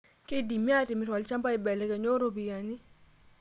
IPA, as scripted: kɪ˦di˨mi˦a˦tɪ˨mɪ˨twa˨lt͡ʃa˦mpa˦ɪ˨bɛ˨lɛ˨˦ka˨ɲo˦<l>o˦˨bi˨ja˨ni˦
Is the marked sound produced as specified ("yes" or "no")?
no